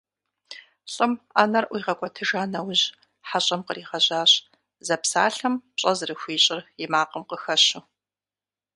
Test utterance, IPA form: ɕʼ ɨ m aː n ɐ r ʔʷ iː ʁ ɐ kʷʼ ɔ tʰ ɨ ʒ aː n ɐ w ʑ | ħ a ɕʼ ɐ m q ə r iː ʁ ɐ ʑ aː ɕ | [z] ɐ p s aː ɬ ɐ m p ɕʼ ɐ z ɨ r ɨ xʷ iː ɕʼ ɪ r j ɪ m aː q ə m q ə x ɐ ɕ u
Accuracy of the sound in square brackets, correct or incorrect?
correct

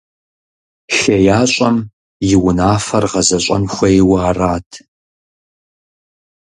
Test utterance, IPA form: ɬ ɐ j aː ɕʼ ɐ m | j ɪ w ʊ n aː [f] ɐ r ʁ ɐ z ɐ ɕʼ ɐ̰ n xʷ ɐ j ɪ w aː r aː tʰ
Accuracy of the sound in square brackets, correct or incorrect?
correct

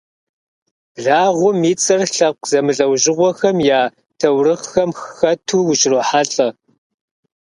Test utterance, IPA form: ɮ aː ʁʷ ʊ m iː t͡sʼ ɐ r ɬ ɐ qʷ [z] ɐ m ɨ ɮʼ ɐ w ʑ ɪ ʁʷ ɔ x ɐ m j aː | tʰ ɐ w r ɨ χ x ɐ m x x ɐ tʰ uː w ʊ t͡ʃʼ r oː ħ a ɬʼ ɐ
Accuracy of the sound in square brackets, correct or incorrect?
correct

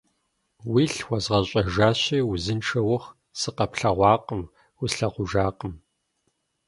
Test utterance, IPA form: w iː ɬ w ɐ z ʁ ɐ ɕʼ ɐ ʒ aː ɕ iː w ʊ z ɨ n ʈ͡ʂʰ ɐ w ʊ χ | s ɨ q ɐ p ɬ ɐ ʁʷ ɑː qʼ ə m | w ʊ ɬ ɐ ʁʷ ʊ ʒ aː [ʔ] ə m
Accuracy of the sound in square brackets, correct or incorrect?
incorrect: q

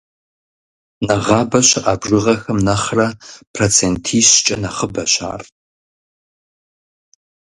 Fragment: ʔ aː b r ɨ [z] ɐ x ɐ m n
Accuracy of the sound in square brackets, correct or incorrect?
incorrect: ʁ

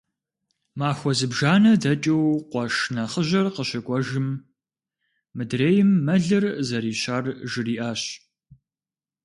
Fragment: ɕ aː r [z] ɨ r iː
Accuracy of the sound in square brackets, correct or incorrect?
incorrect: ʒ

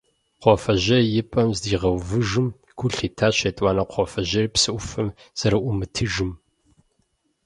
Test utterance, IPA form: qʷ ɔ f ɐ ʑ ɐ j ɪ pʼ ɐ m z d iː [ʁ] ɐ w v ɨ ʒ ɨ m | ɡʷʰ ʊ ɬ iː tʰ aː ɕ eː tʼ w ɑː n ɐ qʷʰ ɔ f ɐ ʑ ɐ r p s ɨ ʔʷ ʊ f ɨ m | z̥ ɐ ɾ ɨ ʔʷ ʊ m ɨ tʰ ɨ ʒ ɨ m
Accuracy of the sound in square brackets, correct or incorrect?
correct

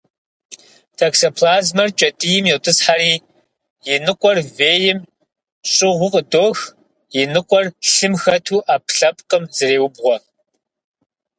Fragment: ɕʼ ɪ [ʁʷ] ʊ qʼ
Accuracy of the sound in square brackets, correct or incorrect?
correct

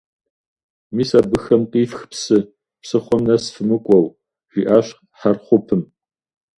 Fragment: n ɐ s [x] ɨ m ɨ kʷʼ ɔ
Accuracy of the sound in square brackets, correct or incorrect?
incorrect: f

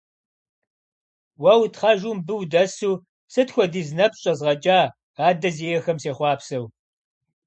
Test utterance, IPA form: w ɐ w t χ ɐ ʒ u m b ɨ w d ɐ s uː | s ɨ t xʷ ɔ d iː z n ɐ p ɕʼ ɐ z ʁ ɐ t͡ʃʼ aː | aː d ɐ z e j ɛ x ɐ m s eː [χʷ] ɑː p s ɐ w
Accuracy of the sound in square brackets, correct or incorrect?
correct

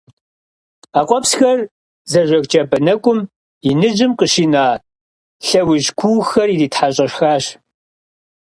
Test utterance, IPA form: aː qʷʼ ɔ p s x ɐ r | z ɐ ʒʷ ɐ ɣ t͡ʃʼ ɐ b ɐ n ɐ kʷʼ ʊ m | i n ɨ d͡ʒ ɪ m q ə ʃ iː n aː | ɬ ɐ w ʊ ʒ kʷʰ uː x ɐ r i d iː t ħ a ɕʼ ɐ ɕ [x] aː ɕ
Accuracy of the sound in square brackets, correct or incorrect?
correct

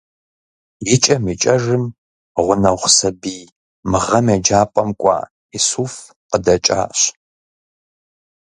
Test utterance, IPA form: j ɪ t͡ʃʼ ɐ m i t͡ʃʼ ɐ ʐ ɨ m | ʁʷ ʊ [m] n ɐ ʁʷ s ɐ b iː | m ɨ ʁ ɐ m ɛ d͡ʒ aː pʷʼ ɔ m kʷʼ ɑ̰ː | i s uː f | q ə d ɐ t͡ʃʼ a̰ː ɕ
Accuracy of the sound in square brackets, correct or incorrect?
incorrect: none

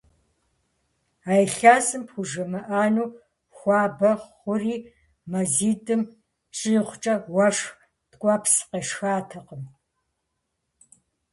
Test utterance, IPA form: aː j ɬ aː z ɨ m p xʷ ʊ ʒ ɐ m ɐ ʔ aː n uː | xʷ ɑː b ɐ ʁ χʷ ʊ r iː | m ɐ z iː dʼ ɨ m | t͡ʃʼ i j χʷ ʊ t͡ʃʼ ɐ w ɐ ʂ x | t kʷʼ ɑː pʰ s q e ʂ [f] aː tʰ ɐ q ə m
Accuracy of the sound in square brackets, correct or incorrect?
incorrect: x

